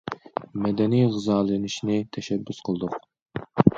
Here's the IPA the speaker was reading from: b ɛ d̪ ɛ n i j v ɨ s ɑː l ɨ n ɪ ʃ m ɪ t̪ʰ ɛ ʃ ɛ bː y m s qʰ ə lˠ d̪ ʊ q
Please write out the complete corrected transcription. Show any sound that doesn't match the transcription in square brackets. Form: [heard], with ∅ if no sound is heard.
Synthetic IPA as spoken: [m] ɛ d̪ ɛ n i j [ʁ] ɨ [z] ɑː l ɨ n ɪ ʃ [n] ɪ t̪ʰ ɛ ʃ ɛ bː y [∅] s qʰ ə lˠ d̪ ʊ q